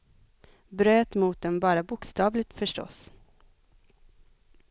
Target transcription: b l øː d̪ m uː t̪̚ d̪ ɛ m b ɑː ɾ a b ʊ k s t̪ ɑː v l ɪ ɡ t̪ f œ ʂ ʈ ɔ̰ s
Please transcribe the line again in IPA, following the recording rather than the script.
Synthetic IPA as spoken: b ɾ øː t̪ m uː t̪̚ d̪ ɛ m b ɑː ɾ a b ʊ k s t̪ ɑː v l ɪ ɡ t̪ f œ ʂ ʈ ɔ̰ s